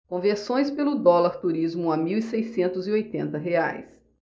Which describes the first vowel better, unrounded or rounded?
rounded